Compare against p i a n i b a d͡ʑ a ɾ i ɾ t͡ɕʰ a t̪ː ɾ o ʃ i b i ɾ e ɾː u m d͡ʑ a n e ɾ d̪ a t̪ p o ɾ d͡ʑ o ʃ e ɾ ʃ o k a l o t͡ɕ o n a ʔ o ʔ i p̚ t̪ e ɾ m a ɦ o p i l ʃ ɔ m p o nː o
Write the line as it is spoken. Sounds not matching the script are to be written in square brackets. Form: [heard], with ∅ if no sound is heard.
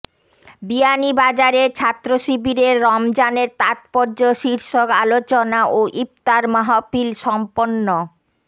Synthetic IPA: [b] i a n i b a d͡ʑ a ɾ [e] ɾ t͡ɕʰ a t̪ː ɾ o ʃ i b i ɾ e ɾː [ɔ] m d͡ʑ a n e ɾ [t̪] a t̪ p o ɾ d͡ʑ o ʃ [i] ɾ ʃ o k a l o t͡ɕ o n a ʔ o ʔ i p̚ t̪ [a] ɾ m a ɦ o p i l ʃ ɔ m p o nː o